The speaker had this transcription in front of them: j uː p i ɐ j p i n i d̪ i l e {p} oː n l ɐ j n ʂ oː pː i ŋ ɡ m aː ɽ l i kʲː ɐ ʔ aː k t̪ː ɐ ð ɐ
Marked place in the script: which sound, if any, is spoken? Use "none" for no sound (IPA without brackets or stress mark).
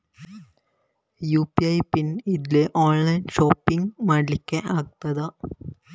ʔ